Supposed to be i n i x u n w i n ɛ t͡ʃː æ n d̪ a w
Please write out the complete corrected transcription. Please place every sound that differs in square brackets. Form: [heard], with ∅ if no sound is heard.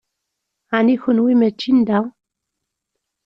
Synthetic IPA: [a] n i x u n w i [m] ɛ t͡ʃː [i] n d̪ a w